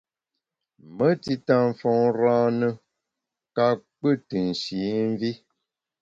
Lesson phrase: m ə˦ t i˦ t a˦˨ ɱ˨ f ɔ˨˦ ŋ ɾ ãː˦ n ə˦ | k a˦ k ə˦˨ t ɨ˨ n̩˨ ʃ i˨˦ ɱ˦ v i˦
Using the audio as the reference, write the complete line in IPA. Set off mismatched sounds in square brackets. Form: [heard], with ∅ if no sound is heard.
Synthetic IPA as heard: m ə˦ t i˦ t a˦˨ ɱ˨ f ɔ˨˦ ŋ ɾ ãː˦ n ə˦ | k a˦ [k͡p] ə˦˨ t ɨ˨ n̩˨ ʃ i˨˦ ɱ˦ v i˦

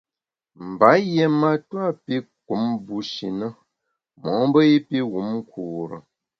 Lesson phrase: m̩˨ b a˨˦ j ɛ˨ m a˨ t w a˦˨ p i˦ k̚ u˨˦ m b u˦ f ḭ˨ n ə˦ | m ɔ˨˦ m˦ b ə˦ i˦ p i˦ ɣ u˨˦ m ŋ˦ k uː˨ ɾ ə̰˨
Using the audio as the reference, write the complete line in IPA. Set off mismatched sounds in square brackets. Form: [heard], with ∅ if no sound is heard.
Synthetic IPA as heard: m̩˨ b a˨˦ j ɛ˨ m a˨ t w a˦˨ p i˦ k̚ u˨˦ m b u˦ [ʃ] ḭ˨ n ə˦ | m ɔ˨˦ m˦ b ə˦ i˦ p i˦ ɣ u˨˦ m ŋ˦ k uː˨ ɾ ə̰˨

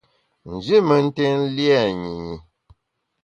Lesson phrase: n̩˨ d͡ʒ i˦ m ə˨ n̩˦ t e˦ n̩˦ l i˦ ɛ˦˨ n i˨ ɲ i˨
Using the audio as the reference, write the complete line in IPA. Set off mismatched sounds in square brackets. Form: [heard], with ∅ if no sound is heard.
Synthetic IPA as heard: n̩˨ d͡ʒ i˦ m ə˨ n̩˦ t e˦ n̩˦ l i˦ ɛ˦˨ [ɲ] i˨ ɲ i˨

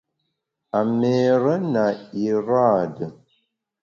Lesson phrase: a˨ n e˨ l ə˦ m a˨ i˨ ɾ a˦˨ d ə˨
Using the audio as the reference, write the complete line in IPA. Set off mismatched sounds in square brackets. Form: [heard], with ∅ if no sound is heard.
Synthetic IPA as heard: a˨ [m] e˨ [ɾ] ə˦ [n] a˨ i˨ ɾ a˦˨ d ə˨

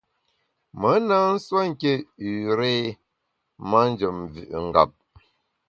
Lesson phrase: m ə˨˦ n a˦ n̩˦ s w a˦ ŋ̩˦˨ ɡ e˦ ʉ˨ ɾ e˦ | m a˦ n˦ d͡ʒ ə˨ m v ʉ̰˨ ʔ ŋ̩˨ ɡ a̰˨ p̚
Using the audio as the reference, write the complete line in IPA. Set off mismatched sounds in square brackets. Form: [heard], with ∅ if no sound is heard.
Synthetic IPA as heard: m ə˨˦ n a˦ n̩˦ s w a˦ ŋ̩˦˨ [k] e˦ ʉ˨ ɾ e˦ | m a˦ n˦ d͡ʒ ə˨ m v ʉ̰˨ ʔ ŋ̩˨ ɡ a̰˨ p̚

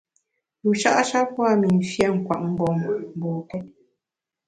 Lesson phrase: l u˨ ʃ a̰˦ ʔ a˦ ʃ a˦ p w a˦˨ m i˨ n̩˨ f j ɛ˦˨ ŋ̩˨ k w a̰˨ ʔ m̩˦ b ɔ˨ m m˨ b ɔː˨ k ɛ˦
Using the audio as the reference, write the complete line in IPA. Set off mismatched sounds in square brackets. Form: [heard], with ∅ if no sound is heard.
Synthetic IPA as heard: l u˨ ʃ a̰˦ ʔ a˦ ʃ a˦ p w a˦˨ m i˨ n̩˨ f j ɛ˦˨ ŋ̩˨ k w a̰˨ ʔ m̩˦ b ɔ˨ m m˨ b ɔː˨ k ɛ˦

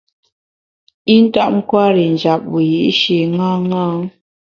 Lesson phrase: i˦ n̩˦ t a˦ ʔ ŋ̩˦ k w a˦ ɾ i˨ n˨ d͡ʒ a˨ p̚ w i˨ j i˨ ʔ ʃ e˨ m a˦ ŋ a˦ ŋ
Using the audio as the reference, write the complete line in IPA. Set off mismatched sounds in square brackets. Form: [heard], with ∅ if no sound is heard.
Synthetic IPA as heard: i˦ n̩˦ t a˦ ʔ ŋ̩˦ k w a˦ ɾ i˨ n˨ d͡ʒ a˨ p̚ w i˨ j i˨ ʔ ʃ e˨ [ŋ] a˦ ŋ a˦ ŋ

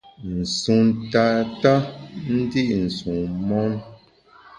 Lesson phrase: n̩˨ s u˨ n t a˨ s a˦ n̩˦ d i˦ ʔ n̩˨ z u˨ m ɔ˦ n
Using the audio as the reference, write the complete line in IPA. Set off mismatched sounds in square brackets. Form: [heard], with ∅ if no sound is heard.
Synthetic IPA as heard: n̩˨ s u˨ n t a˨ [t] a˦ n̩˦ d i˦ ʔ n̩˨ [s] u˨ m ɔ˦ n

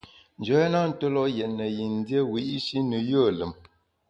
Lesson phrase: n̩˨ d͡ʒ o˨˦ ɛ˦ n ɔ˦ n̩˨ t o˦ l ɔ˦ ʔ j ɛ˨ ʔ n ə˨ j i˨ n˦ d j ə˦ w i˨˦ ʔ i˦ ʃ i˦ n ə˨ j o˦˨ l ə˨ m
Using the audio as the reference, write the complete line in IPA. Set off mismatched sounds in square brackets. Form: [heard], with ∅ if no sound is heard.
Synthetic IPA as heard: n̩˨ d͡ʒ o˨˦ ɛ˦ n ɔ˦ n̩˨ t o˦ l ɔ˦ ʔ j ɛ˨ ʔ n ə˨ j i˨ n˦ d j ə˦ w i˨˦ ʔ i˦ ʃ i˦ n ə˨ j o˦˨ l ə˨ m

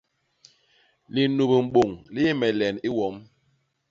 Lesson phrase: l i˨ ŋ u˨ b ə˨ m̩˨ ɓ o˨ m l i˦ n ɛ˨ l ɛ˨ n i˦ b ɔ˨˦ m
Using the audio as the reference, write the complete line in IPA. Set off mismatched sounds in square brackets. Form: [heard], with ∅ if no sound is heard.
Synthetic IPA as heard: l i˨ [n] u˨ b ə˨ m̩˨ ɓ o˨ [ŋ] l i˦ [m] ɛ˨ l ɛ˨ n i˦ [w] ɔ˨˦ m

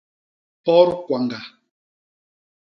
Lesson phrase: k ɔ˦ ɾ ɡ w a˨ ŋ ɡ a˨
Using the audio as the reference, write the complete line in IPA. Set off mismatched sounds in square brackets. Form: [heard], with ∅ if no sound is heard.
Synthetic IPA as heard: [p] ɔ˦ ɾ [k] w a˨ ŋ ɡ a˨

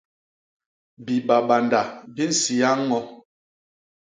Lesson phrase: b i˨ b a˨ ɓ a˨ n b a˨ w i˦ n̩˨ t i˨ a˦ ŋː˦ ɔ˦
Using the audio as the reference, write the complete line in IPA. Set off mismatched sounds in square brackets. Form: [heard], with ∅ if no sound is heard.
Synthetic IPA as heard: b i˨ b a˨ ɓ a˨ n [d] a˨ [b] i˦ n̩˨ [s] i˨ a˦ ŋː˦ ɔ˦

